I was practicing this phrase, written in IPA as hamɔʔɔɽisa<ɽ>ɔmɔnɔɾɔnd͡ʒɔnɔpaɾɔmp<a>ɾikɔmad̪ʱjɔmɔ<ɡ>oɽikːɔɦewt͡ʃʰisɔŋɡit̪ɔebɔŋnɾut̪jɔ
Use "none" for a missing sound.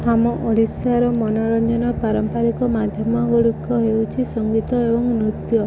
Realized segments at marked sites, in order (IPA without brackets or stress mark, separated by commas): ɾ, a, ɡ